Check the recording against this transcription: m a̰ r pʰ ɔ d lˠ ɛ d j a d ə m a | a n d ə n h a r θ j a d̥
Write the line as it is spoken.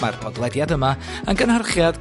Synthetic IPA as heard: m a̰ r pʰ ɔ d lˠ ɛ d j a d ə m a | a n ɡ ə n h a r χ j a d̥